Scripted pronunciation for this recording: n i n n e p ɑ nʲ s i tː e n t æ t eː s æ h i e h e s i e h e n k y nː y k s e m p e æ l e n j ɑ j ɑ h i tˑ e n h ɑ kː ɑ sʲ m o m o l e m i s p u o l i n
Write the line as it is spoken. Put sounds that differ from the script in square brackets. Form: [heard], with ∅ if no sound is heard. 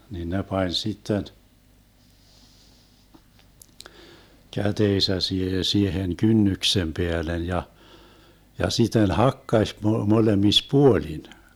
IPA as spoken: n i n n e p ɑ nʲ s i tː e n [k] æ t eː s æ [s] i e h e s i e h e n k y nː y k s e m p e æ l e n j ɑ j ɑ [s] i tˑ e n h ɑ kː ɑ sʲ m o m o l e m i s p u o l i n